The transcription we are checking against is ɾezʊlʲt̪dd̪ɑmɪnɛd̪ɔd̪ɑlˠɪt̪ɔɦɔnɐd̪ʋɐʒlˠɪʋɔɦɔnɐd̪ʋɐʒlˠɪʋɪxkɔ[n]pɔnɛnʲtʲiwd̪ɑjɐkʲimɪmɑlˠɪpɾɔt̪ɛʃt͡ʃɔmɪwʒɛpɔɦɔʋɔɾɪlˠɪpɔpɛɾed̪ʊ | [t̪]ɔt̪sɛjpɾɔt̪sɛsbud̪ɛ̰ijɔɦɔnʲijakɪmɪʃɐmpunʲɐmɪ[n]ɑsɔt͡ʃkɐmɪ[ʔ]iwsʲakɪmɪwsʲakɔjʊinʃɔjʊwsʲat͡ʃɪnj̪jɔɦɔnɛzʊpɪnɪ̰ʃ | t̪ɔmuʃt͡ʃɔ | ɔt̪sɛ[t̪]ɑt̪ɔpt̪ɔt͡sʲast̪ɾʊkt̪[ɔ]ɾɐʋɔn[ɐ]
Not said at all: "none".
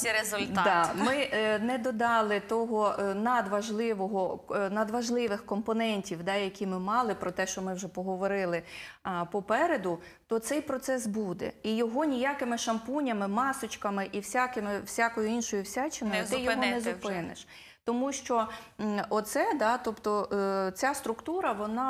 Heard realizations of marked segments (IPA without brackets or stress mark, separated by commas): m, t̪, m, ʔ, d̪, u, ɑ